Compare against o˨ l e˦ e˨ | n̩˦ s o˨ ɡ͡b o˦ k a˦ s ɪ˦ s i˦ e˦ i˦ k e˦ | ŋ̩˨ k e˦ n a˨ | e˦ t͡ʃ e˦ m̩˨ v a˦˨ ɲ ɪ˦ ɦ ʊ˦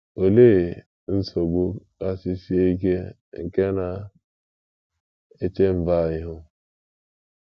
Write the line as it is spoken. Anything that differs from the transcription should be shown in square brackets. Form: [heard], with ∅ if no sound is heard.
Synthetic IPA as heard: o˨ l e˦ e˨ | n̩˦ s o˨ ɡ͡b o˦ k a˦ s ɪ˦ s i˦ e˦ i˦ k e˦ | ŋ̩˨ k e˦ n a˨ | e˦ t͡ʃ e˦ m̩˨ v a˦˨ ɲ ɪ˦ ɦ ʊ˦